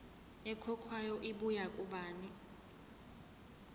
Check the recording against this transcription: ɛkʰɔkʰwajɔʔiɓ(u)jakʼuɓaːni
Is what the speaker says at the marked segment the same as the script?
yes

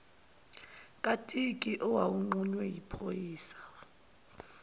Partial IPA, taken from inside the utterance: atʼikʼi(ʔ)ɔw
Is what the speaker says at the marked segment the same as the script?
yes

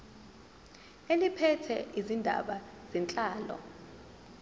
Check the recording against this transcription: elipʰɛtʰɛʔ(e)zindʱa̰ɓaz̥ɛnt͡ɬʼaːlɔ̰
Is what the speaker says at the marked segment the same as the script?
no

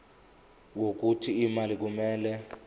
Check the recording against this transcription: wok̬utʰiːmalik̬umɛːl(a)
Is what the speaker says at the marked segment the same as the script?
no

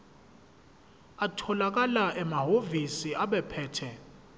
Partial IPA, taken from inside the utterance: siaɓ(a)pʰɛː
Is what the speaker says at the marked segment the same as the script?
no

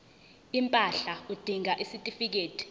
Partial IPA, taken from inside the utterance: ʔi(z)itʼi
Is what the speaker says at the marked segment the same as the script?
no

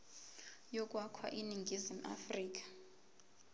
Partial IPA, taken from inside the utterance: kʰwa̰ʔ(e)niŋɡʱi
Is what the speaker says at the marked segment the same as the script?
no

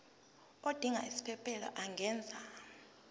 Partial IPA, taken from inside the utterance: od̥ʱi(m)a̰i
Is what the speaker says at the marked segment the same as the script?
no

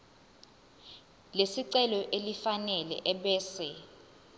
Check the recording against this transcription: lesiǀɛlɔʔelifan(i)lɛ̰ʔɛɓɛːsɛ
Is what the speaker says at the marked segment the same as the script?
no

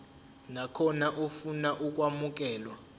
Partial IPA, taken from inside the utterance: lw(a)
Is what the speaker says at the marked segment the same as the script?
yes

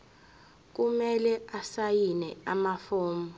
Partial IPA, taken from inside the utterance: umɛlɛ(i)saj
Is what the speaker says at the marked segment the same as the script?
no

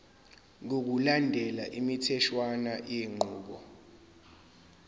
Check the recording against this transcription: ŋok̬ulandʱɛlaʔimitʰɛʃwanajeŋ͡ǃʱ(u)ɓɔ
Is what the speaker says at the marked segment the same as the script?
no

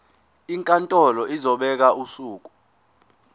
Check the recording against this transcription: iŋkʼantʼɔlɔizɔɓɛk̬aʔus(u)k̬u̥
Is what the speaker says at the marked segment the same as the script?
no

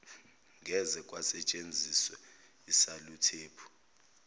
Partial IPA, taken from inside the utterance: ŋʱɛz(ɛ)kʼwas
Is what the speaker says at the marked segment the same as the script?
yes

